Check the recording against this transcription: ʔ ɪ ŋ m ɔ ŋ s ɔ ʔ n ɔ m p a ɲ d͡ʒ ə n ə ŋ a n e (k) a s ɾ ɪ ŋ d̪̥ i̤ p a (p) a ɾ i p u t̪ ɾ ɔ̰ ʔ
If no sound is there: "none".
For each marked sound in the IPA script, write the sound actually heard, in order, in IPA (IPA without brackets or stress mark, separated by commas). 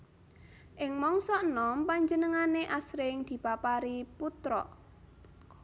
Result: ʔ, p